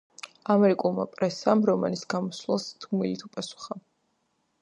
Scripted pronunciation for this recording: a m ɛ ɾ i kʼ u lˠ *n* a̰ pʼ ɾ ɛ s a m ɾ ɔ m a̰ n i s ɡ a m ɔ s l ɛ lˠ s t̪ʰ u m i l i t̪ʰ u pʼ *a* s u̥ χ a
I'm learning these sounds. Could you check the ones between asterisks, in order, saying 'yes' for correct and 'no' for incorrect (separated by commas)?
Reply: no, yes